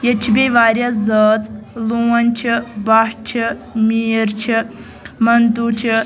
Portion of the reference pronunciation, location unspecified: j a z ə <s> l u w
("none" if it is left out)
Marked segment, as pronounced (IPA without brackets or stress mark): t͡s